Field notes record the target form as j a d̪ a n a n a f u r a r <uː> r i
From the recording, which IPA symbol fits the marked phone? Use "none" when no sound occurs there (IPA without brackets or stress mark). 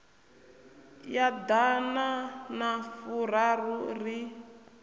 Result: u